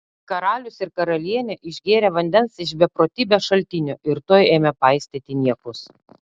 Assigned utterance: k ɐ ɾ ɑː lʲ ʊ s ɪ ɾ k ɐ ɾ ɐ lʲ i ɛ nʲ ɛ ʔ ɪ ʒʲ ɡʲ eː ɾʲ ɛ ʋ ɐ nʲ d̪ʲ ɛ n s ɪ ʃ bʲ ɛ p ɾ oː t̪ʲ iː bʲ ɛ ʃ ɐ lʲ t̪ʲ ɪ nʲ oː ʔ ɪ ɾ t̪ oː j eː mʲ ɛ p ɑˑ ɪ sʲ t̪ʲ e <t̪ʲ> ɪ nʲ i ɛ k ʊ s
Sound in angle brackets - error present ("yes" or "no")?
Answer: no